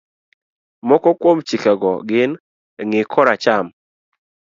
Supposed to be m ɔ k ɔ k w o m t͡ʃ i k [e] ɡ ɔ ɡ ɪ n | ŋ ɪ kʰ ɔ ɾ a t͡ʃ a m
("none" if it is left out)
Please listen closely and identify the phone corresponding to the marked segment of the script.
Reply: a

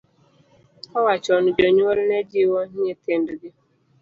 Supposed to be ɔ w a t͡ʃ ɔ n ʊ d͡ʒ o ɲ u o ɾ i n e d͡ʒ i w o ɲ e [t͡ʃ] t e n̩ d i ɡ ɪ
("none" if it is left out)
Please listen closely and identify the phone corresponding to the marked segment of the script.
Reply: none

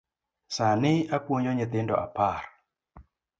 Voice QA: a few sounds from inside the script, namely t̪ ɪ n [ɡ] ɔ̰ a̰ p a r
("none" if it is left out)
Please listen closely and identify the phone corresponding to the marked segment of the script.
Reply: d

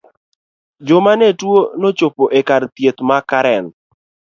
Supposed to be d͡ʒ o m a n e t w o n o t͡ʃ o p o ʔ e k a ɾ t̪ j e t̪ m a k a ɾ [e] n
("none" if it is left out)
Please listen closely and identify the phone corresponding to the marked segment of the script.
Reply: ɛ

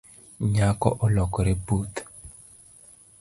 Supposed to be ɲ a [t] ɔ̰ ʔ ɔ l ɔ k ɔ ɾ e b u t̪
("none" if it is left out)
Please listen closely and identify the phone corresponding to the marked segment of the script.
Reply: k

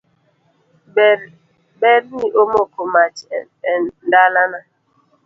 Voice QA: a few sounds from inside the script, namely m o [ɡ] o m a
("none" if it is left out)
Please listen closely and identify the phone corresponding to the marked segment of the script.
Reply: k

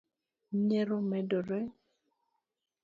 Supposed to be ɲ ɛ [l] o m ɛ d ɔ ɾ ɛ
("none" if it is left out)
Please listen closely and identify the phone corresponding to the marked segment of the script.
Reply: ɾ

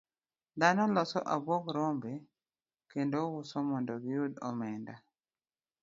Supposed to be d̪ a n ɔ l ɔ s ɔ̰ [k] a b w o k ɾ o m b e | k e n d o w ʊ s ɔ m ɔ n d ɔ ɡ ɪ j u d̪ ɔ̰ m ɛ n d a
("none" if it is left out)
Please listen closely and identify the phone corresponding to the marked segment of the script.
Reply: ʔ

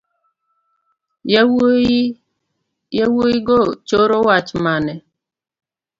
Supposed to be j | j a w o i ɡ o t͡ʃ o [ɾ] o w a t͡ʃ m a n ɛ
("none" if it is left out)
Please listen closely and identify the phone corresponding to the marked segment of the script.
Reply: ɾ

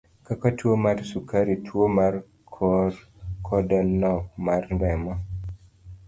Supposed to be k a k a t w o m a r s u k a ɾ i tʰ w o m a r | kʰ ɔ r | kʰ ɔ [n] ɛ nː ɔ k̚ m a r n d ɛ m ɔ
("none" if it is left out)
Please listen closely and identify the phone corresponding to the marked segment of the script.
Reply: d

